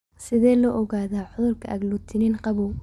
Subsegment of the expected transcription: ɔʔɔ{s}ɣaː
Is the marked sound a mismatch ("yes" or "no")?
yes